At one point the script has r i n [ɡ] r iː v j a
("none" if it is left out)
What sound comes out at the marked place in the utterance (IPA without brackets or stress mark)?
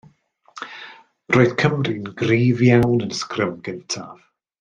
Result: ɡ